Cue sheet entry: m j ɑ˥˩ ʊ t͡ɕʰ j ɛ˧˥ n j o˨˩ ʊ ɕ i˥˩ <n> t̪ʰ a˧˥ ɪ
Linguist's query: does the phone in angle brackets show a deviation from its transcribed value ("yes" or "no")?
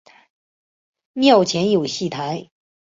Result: yes